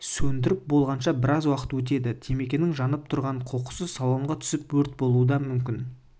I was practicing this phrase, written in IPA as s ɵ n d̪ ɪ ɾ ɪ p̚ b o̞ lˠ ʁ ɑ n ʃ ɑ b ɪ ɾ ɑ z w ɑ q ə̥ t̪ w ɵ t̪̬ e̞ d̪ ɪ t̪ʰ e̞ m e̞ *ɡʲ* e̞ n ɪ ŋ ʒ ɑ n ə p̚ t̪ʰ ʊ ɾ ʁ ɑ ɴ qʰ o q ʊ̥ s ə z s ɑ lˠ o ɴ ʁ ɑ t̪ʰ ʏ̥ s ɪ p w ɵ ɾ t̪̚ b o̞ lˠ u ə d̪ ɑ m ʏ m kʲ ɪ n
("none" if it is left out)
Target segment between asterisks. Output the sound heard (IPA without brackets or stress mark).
kʲ